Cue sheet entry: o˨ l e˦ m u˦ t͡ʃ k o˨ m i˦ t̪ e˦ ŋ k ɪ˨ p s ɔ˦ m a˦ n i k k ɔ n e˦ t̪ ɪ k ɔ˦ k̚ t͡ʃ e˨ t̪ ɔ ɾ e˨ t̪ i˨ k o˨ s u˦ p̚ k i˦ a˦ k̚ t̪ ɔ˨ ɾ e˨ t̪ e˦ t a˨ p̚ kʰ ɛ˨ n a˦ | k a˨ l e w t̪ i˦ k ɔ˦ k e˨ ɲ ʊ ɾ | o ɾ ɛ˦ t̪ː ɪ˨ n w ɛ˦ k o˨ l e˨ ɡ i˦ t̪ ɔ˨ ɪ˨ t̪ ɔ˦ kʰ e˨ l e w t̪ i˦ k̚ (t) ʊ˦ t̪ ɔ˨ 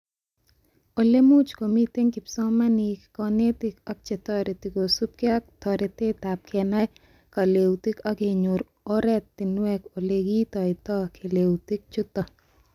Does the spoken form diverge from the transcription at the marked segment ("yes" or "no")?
yes